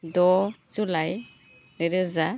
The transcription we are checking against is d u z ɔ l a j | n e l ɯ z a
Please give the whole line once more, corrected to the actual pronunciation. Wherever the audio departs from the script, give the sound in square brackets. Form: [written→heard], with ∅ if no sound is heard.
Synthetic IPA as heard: d [u→ɔ] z [ɔ→u] l a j | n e [l→ɾ] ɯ z a